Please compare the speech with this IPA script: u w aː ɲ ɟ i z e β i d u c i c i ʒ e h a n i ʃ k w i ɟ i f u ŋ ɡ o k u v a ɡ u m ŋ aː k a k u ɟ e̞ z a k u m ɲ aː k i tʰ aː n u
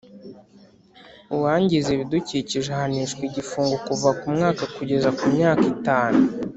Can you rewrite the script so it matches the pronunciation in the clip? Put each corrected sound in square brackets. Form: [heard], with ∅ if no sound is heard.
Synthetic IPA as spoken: u w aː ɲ ɟ i z e β i d u c i c i ʒ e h a n i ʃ k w i ɟ i f [uː] ŋ ɡ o k u v a [k] u m ŋ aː k a k u ɟ e̞ z a k u m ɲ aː k i [t] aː n u